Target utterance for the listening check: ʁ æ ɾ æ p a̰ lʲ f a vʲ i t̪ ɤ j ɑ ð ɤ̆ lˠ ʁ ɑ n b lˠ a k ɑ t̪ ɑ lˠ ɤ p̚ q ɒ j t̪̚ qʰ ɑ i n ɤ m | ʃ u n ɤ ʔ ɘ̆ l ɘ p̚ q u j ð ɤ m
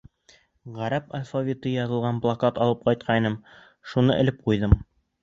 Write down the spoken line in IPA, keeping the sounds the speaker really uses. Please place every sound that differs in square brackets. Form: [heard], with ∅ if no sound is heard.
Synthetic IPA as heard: ʁ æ ɾ æ p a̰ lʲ f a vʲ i t̪ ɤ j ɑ ð ɤ̆ lˠ ʁ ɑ n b lˠ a k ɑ t̪ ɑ lˠ ɤ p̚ q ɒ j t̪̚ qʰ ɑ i n ɤ m | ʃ u n ɤ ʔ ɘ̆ l ɘ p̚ q u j ð ɤ m